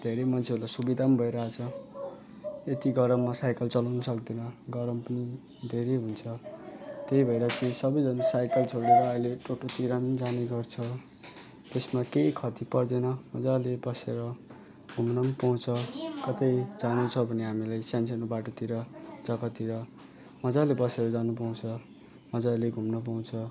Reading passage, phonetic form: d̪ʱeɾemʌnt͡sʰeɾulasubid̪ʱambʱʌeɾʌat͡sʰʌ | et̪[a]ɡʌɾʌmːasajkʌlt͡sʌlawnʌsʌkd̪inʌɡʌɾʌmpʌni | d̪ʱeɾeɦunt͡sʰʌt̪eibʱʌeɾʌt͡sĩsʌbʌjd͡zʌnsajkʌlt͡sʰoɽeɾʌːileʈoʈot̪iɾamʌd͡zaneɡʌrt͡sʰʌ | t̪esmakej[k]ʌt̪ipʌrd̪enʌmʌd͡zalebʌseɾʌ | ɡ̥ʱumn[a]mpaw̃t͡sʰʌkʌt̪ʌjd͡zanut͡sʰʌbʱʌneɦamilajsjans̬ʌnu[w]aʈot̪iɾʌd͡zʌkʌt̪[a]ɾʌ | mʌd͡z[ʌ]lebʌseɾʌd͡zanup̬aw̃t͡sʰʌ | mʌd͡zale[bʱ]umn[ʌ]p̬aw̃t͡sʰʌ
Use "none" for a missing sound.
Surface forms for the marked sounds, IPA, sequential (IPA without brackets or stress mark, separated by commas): i, kʰ, ʌ, b, i, a, ɡʱ, ʌ